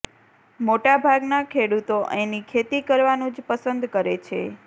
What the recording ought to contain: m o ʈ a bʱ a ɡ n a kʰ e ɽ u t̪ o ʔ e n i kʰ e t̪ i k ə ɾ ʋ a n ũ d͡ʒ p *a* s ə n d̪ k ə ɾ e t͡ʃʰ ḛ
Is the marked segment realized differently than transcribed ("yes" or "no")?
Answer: yes